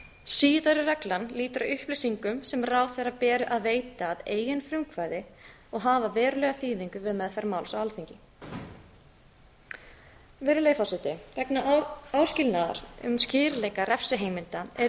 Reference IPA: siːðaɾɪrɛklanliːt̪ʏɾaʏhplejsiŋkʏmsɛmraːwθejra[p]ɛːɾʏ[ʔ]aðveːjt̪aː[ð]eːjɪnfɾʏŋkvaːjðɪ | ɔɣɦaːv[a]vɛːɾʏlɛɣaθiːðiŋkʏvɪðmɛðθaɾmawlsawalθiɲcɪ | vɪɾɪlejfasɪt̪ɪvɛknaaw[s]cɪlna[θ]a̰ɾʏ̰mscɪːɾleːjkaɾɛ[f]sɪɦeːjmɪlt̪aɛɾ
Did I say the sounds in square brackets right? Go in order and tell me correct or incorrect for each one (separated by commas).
correct, correct, correct, correct, correct, incorrect, correct